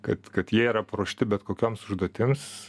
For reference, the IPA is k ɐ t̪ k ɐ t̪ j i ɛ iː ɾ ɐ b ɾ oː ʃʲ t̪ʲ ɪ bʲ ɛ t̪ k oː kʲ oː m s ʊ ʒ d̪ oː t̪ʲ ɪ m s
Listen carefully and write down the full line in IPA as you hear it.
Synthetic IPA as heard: k ɐ t̪ k ɐ t̪ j i ɛ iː ɾ ɐ p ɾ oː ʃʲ t̪ʲ ɪ bʲ ɛ t̪ k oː kʲ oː m s ʊ ʒ d̪ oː t̪ʲ ɪ m s